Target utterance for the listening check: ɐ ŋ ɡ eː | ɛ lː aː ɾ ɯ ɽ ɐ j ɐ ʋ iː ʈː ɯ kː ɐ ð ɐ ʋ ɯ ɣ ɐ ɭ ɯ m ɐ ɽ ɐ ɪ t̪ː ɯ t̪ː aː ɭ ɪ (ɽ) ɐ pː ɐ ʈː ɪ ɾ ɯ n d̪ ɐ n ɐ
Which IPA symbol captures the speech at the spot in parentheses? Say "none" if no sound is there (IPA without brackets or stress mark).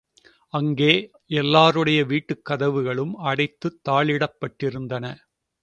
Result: ɽ